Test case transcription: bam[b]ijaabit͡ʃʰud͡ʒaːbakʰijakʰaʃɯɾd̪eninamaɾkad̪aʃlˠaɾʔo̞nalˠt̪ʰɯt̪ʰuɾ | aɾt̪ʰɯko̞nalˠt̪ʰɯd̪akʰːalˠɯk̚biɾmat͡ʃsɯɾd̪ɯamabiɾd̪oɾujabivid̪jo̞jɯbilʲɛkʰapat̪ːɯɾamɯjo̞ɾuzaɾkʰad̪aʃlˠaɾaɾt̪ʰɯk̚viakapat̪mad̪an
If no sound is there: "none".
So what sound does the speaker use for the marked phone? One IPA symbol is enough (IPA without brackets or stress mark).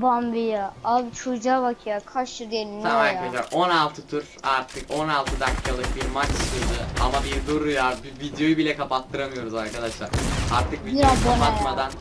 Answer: b